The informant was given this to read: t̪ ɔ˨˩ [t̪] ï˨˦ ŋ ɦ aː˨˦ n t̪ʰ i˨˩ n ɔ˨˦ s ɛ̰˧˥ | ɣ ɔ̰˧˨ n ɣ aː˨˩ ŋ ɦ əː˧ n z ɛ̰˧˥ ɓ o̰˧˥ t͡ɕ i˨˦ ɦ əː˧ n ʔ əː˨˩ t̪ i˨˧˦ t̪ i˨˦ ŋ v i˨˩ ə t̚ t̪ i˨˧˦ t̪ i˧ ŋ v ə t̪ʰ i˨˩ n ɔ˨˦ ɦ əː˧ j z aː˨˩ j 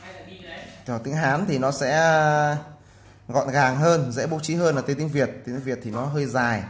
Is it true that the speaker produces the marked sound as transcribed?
yes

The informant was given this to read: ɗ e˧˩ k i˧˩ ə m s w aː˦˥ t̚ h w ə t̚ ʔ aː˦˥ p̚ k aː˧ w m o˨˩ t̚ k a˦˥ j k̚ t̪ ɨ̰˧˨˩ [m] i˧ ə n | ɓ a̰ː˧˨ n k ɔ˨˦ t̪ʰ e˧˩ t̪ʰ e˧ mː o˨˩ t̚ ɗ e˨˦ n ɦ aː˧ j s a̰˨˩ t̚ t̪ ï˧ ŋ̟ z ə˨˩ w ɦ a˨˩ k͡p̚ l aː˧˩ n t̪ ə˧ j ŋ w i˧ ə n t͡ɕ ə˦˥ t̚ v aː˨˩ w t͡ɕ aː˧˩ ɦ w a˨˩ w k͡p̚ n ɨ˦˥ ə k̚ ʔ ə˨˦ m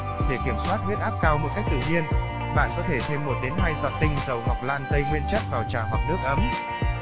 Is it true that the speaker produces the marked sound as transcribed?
no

